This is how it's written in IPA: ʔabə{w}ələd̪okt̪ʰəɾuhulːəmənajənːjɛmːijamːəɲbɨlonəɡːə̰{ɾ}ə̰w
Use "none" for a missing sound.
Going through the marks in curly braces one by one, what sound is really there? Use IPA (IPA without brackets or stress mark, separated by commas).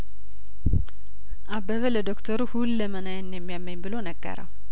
β, ɾ